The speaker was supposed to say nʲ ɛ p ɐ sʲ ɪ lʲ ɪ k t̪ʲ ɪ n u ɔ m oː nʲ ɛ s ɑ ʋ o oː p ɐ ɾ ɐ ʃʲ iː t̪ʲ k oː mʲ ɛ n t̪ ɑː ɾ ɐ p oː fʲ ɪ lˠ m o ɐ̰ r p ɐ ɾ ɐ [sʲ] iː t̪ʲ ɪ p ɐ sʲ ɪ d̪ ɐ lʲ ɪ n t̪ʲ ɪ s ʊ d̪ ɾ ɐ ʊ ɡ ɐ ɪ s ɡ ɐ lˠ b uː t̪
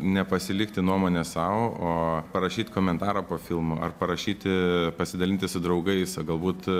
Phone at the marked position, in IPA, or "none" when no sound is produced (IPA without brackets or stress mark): ʃʲ